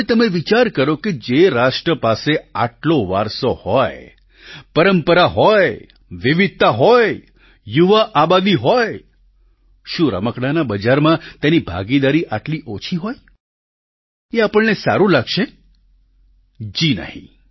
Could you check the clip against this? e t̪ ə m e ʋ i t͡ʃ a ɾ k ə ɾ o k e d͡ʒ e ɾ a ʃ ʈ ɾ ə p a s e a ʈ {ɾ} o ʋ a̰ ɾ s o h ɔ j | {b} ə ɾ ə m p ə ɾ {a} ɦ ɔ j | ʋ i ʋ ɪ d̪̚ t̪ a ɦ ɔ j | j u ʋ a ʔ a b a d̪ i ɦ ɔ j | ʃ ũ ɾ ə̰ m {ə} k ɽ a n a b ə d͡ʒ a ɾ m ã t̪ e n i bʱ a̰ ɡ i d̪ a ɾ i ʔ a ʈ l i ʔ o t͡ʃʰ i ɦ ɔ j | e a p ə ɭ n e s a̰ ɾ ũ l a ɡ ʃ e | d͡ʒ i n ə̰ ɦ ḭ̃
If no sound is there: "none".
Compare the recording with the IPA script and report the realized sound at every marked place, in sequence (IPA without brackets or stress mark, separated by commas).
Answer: l, p, a, ə